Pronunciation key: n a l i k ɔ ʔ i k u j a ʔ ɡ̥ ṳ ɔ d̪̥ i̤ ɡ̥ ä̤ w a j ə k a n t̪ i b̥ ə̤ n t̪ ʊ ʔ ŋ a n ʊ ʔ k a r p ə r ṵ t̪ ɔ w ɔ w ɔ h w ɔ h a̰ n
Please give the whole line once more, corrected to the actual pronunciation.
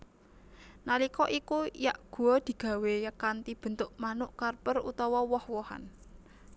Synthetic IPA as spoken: n a l i k ɔ ʔ i k u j a ʔ ɡ̥ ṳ ɔ d̪̥ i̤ ɡ̥ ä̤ w e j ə k a n t̪ i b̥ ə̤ n t̪ ʊ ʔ m a n ʊ ʔ k a r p ə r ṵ t̪ ɔ w ɔ w ɔ h w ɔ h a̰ n

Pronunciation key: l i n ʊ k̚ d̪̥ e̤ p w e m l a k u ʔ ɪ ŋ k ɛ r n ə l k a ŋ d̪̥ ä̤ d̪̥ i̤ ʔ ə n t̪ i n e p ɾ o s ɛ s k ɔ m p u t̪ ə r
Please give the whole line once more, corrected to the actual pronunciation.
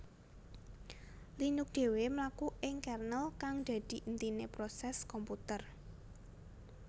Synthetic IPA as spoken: l i n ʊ k̚ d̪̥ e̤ w e m l a k u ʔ ɪ ŋ k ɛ r n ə l k a ŋ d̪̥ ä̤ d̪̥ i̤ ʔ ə n t̪ i n e p ɾ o s ɛ s k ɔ m p u t̪ ə r

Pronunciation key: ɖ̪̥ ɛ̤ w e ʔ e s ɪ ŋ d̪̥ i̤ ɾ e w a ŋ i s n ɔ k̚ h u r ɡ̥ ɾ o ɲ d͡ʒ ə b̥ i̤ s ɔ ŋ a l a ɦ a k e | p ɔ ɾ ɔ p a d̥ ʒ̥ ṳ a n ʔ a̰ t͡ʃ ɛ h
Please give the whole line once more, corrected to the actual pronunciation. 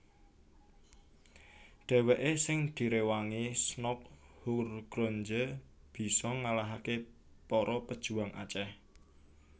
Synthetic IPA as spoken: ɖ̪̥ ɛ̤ w e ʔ e s ɪ ŋ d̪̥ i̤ ɾ e w a ŋ i s n ɔ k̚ h u r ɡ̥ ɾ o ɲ d͡ʒ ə b̥ i̤ s ɔ ŋ a l a ɦ a k e | p ɔ ɾ ɔ p ə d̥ ʒ̥ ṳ a ŋ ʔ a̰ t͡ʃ ɛ h

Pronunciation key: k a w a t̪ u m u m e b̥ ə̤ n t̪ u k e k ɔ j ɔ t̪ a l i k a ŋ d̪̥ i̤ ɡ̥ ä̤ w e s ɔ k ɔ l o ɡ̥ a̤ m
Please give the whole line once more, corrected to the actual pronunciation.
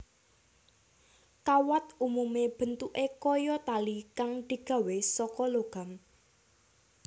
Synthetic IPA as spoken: k a w a t̪ u m u m e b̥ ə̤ n t̪ u ʔ e k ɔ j ɔ t̪ a l i k a ŋ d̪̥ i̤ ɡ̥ ä̤ w e s ɔ k ɔ l o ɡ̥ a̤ m

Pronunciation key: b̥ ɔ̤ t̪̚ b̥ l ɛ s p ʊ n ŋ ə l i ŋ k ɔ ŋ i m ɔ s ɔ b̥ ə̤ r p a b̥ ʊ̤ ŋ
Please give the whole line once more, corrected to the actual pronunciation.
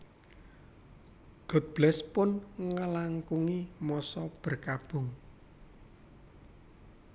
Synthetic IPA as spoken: ɡ̥ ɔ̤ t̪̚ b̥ l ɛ s p ʊ n ŋ ə l a ŋ k u ŋ i m ɔ s ɔ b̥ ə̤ r k a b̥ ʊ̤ ŋ

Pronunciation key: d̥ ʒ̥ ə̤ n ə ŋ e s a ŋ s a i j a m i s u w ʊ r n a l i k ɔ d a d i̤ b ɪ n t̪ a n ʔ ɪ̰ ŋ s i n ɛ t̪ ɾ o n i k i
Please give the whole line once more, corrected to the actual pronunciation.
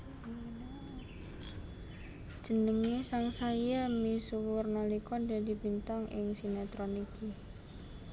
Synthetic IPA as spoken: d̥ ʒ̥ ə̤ n ə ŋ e s a ŋ s a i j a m i s u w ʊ r n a l i k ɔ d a d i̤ b i n t̪ a ŋ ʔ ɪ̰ ŋ s i n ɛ t̪ ɾ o n i k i

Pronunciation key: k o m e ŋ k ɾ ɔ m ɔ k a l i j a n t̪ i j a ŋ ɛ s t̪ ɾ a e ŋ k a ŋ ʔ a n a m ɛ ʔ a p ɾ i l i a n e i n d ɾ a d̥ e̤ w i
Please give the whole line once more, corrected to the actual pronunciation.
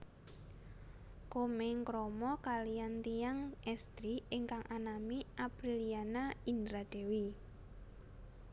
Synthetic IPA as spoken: k o m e ŋ k ɾ ɔ m ɔ k a l i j a n t̪ i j a ŋ ɛ s t̪ ɾ i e ŋ k a ŋ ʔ a n a m i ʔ a p ɾ i l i a n a i n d ɾ a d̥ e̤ w i

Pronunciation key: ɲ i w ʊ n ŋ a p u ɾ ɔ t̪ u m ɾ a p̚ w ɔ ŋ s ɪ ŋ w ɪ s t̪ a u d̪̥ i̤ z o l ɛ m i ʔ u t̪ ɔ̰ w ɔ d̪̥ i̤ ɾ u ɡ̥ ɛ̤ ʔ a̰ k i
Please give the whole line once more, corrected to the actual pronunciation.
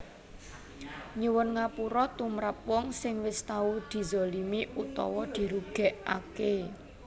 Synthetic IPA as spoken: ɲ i w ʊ n ŋ a p u ɾ ɔ t̪ u m ɾ a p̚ w ɔ ŋ s ɪ ŋ w ɪ s t̪ a u d̪̥ i̤ z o l i m i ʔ u t̪ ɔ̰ w ɔ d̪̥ i̤ ɾ u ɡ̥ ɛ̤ ʔ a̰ k e

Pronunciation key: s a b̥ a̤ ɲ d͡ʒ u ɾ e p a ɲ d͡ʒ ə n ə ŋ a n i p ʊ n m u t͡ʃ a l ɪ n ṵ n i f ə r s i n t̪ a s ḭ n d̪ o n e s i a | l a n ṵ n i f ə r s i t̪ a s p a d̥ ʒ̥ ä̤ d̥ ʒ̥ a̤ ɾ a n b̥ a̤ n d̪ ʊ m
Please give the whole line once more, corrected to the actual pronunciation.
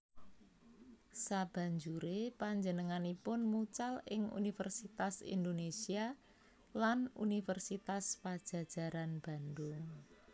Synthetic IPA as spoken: s a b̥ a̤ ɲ d͡ʒ u ɾ e p a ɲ d͡ʒ ə n ə ŋ a n i p ʊ n m u t͡ʃ a l ɪ ŋ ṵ n i f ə r s i t̪ a s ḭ n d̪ o n e s i a | l a n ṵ n i f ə r s i t̪ a s p a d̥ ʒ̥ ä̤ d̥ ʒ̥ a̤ ɾ a n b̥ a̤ n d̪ ʊ ŋ

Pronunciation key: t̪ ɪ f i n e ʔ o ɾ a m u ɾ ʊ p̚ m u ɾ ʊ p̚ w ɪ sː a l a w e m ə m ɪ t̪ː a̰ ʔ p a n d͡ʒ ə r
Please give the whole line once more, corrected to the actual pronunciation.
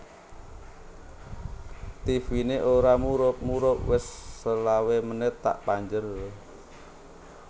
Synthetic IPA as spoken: t̪ i f i n e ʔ o ɾ a m u ɾ ʊ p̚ m u ɾ ʊ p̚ w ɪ sː ə l a w e m ə n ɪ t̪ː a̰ ʔ p a ɲ d͡ʒ ə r

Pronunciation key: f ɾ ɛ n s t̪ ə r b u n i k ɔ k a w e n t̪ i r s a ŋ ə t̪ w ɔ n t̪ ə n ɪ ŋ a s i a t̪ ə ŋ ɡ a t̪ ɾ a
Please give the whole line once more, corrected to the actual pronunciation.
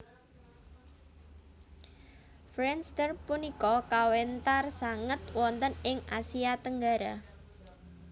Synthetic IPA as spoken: f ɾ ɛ n s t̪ ə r p u n i k ɔ k a w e n t̪ a r s a ŋ ə t̪ w ɔ n t̪ ə n ɪ ŋ a s i a t̪ ə ŋ ɡ a ɾ a

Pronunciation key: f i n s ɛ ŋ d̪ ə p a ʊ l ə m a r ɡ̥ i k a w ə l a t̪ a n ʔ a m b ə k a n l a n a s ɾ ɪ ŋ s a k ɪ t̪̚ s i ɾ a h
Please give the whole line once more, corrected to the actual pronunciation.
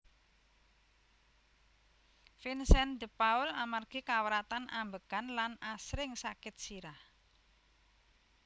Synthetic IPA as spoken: f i n s ɛ n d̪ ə p a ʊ l a m a r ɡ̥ i k a w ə ɾ a t̪ a n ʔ a m b ə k a n l a n a s ɾ ɪ ŋ s a k ɪ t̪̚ s i ɾ a h

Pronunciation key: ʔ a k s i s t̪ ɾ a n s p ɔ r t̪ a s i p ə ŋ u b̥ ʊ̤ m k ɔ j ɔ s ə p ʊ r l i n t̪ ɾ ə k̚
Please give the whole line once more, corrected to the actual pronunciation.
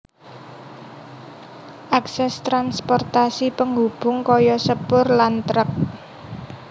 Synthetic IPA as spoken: ʔ a k s ɛ s t̪ ɾ a n s p ɔ r t̪ a s i p ə ŋ u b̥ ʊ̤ ŋ k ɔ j ɔ s ə p ʊ r l a n t̪ ɾ ə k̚

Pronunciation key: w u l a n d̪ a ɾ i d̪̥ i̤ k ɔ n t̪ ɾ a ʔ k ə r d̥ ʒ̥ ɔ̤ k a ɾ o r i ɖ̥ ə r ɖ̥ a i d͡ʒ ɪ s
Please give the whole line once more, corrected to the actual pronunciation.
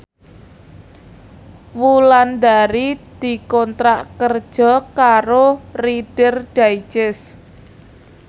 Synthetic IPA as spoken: w u l a n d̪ a ɾ i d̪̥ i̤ k ɔ n t̪ ɾ a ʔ k ə r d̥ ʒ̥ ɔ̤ k a ɾ o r i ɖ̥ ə r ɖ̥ a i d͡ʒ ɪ s

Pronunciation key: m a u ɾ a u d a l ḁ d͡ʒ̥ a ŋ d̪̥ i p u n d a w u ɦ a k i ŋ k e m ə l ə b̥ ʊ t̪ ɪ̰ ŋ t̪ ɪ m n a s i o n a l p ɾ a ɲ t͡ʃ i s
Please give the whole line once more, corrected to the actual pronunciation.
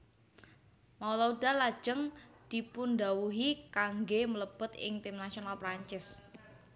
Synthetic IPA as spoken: m a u l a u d a l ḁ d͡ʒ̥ ə ŋ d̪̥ i p u n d a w u ɦ i k a ŋ ɡ e m ə l ə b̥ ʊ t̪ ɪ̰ ŋ t̪ ɪ m n a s i o n a l p ɾ a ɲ t͡ʃ ɪ s

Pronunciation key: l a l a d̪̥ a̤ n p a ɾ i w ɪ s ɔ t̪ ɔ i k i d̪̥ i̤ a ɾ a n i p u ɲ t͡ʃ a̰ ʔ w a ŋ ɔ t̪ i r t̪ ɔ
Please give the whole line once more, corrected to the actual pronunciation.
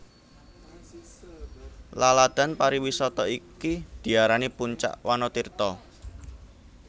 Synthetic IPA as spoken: l a l a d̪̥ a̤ n p a ɾ i w i s ɔ t̪ ɔ i k i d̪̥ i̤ a ɾ a n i p u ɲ t͡ʃ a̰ ʔ w a n ɔ t̪ i r t̪ ɔ

